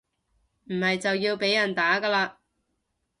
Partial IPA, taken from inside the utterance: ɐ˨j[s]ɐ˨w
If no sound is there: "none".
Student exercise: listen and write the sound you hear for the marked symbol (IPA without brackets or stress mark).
t͡s